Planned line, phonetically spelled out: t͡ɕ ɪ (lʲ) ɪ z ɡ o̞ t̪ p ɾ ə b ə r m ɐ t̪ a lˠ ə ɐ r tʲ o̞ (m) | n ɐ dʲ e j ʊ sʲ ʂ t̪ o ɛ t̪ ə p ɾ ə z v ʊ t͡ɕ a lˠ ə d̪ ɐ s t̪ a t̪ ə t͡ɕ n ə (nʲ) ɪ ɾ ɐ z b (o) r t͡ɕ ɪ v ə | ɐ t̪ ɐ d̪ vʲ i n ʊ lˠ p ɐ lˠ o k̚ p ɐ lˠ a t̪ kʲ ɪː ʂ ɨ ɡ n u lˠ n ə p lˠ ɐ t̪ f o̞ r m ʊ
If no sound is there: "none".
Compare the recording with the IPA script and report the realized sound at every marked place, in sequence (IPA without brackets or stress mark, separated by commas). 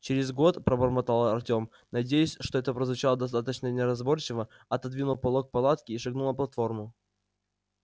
ɾʲ, m, nʲ, o